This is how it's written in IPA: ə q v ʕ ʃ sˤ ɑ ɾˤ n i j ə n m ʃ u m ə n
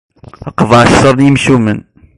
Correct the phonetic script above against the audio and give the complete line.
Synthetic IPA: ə q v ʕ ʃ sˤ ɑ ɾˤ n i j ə m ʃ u m ə n

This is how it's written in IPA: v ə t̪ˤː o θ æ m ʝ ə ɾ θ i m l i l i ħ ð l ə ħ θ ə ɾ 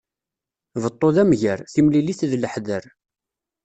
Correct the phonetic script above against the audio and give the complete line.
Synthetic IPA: v ə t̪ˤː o ð æ m ʝ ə ɾ θ i m l i l i θ ð l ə ħ ð ə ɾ

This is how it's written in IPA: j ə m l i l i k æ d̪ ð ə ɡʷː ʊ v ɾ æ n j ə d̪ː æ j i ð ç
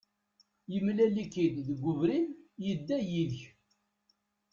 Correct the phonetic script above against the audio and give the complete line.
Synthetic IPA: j ə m l æ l i k i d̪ ð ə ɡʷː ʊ v ɾ i n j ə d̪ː æ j i ð ç

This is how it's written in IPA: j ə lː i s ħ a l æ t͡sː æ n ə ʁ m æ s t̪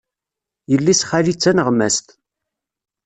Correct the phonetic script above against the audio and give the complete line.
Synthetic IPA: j ə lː i s χ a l i t͡sː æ n ə ʁ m æ s t̪

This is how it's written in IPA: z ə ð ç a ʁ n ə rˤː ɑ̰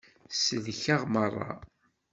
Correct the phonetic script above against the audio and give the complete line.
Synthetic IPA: s ə ð ç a ʁ m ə rˤː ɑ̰

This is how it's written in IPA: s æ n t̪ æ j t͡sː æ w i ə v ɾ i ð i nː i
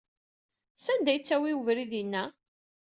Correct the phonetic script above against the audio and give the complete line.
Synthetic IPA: s æ n d̪ æ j t͡sː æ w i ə v ɾ i ð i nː æ

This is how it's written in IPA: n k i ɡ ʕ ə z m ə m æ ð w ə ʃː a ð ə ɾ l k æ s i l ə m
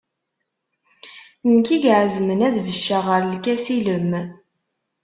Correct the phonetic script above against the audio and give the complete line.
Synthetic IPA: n k i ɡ ʕ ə z m ə n æ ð v ə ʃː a ʁ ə ɾ l k æ s i l ə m

